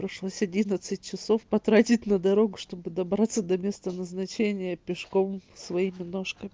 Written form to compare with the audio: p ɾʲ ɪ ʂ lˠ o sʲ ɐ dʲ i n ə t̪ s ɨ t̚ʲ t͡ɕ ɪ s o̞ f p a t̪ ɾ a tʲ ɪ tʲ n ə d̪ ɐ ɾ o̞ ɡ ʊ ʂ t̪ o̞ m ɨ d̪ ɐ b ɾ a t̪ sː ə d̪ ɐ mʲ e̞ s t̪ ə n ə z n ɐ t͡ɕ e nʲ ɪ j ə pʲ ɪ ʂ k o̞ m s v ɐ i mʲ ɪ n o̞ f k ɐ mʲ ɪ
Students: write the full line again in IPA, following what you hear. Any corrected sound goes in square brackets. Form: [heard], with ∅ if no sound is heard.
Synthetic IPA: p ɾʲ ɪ ʂ lˠ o sʲ ɐ dʲ i n ə t̪ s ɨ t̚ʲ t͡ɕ ɪ s o̞ f p [ɐ] t̪ ɾ a tʲ ɪ tʲ n ə d̪ ɐ ɾ o̞ ɡ ʊ ʂ t̪ o̞ [b] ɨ d̪ ɐ b ɾ a t̪ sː ə d̪ ɐ mʲ e̞ s t̪ ə n ə z n ɐ t͡ɕ e nʲ ɪ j ə pʲ ɪ ʂ k o̞ m s v ɐ i mʲ ɪ n o̞ [ʂ] k [ə] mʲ ɪ